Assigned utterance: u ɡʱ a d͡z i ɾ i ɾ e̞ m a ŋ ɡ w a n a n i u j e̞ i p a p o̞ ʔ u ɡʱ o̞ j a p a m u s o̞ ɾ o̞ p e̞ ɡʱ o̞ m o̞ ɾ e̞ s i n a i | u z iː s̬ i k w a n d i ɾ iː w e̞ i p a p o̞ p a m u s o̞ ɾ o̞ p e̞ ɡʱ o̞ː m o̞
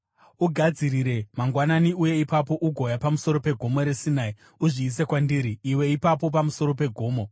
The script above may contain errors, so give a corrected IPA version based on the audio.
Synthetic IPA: u ɡʱ a d͡z i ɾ i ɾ e̞ m a ŋ ɡ w a n a n i u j e̞ i p a p o̞ ʔ u ɡʱ o̞ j a p a m u s o̞ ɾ o̞ p e̞ ɡʱ o̞ m o̞ ɾ e̞ s i n a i | u ʐ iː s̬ e k w a n d i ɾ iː w e̞ i p a p o̞ p a m u s o̞ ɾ o̞ p e̞ ɡʱ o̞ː m o̞